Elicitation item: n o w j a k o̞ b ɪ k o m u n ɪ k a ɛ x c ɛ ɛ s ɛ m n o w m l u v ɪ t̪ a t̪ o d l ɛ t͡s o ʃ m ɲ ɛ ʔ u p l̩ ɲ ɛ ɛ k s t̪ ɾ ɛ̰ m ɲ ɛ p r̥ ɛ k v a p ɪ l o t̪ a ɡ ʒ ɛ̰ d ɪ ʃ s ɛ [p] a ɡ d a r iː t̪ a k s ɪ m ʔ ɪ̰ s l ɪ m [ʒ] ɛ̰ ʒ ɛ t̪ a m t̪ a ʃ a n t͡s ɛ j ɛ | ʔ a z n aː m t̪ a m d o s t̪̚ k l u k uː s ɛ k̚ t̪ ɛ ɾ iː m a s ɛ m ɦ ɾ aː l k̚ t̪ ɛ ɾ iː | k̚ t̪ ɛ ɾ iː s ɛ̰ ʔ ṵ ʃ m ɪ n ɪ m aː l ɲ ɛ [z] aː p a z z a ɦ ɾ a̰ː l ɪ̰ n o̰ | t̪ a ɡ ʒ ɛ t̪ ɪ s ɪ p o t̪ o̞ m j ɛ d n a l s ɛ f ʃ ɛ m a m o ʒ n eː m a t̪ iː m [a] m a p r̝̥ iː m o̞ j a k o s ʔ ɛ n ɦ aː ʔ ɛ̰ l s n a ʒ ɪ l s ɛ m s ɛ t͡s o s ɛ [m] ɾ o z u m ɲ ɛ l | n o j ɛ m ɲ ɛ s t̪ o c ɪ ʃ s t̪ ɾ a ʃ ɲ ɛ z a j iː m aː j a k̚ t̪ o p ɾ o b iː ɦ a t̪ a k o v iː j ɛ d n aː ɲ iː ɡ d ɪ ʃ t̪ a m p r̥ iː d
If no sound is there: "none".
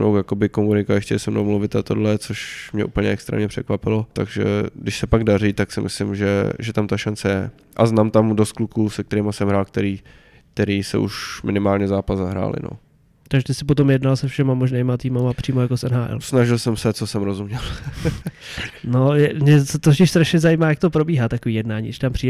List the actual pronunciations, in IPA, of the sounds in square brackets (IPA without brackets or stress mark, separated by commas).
p, ʒ, z, a, m